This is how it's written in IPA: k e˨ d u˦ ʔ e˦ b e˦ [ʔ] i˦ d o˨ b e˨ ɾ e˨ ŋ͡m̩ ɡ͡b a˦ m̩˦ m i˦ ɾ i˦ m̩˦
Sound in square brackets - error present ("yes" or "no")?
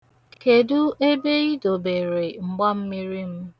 yes